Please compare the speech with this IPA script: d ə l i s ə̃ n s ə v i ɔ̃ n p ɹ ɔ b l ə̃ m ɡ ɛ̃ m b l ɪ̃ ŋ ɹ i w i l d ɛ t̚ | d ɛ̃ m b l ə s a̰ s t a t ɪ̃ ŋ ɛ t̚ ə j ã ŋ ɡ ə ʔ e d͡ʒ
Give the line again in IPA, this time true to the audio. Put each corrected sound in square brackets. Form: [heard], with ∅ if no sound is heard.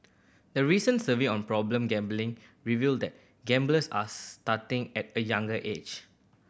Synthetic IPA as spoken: d ə [ɹ] i s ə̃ n s ə v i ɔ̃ n p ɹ ɔ b l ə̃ m ɡ ɛ̃ m b l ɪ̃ ŋ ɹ i [v] i l d ɛ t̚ | [ɡ] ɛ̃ m b l ə s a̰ s t a t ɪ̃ ŋ ɛ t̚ ə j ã ŋ ɡ ə ʔ e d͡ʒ